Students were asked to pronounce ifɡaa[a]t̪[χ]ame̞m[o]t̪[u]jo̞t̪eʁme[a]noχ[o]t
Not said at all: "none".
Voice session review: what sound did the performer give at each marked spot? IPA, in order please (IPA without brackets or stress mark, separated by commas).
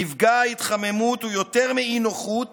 i, χ, u, u, i, u